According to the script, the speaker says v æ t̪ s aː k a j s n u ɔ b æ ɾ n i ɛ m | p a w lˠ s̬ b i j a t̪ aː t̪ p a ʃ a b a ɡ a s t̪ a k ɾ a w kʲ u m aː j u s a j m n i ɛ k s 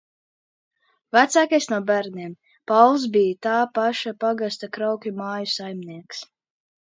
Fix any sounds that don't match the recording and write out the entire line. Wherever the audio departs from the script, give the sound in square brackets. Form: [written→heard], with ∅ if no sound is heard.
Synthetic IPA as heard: v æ t̪ s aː k a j s n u ɔ b æ ɾ n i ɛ m | p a w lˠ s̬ b i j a t̪ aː [t̪→∅] p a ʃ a [b→p] a ɡ a s t̪ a k ɾ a w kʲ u m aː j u s a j m n i ɛ k s